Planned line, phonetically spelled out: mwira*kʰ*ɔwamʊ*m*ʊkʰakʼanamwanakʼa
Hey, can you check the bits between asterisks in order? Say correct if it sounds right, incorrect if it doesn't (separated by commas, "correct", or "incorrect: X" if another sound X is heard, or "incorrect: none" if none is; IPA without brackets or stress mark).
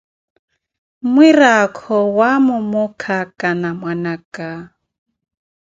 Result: correct, correct